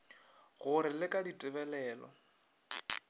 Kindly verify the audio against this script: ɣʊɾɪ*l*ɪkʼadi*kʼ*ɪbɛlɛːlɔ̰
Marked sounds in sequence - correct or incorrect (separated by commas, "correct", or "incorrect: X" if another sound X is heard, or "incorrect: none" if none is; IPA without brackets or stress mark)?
correct, incorrect: tʼ